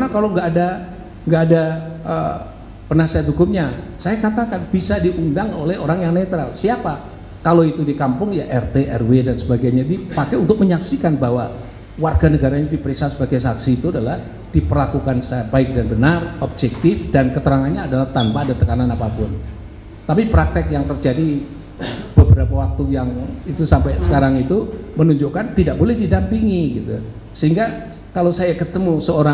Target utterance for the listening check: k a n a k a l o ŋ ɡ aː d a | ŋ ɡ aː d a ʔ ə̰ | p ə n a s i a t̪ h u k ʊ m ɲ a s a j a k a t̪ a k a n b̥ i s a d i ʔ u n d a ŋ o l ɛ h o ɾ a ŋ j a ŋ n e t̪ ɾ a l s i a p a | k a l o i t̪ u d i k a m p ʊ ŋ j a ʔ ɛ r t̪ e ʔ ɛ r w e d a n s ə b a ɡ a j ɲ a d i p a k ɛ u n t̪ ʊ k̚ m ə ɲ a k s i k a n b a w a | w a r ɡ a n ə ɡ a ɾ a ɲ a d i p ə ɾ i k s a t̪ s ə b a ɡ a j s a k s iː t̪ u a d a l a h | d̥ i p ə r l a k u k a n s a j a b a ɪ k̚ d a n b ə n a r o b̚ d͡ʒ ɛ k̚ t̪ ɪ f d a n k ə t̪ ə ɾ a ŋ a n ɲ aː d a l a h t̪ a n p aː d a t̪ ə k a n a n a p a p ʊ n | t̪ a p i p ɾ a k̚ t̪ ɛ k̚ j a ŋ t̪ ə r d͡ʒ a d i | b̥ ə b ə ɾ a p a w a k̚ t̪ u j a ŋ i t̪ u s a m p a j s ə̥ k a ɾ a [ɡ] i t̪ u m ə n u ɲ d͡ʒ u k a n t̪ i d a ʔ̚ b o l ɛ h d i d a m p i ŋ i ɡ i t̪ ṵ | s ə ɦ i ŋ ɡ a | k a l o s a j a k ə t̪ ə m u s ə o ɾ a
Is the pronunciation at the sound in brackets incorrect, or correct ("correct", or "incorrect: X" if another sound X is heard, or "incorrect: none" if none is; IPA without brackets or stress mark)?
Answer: incorrect: ŋ